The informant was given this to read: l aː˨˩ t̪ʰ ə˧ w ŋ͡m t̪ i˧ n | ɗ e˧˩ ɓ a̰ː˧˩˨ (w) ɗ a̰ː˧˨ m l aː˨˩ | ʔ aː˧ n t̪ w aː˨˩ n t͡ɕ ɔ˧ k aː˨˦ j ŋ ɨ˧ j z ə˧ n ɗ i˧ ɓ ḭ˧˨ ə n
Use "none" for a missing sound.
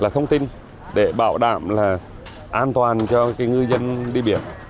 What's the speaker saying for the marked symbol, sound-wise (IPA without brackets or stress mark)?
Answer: w